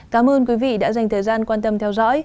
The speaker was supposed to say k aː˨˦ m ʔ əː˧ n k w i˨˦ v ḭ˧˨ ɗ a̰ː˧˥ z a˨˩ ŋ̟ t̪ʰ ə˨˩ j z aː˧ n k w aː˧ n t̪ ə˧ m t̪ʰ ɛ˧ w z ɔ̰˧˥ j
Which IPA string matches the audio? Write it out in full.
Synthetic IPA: k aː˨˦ m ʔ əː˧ n k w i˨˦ v ḭ˧˨ ɗ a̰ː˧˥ z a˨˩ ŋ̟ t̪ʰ əː˨˩ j z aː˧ n k w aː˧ n t̪ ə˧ m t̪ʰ ɛ˧ w z ɔ̰˧˥ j